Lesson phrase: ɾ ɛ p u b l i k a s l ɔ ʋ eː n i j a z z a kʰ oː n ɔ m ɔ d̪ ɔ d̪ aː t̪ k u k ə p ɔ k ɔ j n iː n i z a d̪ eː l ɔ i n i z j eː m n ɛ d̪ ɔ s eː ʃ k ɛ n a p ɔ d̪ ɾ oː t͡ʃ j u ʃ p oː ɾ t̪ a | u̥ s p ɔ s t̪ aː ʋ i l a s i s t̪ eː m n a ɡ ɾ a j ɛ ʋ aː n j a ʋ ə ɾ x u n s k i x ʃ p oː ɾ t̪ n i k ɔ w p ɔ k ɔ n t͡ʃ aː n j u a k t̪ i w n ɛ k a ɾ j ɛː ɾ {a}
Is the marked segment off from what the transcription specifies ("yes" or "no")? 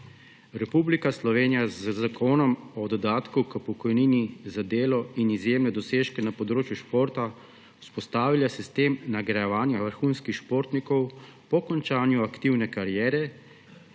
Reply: yes